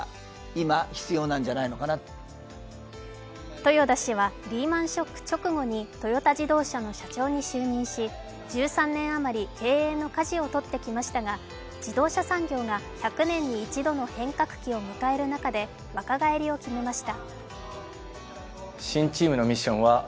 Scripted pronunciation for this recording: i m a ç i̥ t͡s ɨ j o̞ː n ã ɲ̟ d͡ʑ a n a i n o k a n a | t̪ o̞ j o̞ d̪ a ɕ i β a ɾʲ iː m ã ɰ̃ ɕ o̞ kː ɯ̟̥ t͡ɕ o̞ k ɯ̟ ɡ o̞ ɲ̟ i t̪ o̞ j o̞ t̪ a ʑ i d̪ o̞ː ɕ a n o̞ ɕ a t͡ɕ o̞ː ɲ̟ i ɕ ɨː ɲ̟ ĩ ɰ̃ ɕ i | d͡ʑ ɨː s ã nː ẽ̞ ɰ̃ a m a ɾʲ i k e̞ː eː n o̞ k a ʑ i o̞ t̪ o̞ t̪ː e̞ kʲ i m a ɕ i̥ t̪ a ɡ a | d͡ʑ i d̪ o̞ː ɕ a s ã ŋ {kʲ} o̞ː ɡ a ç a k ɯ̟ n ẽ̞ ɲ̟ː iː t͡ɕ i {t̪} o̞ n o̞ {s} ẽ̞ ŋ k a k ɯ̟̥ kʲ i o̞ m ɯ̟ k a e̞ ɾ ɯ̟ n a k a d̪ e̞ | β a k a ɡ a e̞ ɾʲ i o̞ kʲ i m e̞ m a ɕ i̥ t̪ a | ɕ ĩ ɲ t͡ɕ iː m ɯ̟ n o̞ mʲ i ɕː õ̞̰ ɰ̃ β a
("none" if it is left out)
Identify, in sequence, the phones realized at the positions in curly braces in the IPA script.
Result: ɡʲ, d̪, h

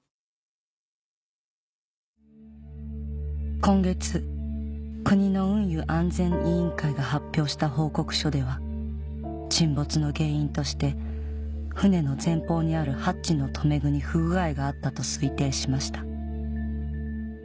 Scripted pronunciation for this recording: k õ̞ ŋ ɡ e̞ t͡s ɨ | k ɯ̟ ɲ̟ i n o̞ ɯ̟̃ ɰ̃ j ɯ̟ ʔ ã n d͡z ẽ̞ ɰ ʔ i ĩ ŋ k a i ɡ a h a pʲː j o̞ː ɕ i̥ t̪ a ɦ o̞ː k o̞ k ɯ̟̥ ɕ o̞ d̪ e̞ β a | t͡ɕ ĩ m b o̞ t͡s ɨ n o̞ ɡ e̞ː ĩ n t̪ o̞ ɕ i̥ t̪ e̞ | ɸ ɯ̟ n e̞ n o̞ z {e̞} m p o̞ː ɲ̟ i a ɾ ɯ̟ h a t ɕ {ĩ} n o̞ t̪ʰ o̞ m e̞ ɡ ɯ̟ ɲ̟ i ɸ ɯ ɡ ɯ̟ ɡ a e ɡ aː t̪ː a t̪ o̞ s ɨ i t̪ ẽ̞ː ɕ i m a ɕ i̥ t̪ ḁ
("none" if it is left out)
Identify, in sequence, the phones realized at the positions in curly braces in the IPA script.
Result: ẽ̞, i

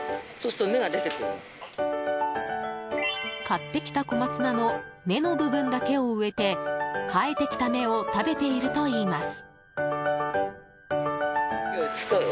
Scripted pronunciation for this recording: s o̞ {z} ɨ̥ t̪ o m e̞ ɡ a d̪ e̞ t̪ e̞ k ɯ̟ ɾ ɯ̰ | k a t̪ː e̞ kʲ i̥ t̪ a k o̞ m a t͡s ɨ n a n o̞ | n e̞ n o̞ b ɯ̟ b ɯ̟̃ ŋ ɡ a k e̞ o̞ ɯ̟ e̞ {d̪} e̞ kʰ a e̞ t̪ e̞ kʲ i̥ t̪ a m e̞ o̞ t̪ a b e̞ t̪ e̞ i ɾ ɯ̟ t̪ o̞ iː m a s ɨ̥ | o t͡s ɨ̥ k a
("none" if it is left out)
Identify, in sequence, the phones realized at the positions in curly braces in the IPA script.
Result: s, t̪

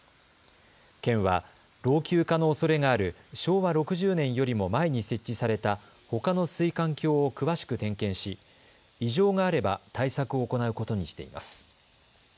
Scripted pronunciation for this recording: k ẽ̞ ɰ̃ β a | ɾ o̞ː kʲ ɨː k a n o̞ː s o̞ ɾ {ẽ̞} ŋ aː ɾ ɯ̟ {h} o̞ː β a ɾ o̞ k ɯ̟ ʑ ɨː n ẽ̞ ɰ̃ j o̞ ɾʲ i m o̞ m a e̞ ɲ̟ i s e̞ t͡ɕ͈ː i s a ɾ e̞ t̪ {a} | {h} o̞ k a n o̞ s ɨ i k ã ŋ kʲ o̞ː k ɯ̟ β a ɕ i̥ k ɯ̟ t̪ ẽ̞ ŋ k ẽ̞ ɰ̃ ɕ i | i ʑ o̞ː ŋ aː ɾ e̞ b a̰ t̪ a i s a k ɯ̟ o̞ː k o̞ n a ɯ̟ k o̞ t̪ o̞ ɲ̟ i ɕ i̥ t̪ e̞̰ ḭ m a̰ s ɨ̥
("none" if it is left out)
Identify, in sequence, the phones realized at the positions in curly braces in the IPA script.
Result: e̞, ɕ, a, h

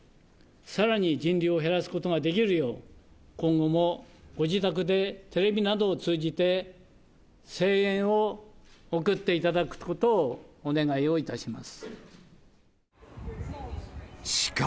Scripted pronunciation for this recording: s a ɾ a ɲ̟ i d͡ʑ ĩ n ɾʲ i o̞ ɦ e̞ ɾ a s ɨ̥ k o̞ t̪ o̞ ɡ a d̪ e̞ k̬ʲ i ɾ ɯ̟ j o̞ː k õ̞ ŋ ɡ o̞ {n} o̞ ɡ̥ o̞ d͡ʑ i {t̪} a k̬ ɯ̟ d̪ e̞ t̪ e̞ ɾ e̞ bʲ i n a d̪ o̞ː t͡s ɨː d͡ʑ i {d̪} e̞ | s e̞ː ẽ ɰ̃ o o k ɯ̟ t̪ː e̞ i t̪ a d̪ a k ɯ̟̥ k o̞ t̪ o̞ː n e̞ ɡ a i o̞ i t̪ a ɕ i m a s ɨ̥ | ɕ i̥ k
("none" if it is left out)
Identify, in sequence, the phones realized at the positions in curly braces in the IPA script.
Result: m, t̪, t̪

